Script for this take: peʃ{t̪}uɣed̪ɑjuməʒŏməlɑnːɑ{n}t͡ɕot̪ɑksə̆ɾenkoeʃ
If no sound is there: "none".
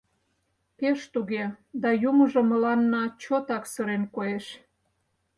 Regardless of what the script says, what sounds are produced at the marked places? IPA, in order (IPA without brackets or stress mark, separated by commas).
t̪, none